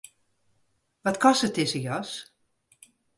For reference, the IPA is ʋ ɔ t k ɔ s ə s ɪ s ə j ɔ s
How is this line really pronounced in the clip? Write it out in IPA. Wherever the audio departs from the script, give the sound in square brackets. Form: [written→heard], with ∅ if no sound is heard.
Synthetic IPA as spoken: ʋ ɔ t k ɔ s ə [s→t] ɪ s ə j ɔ s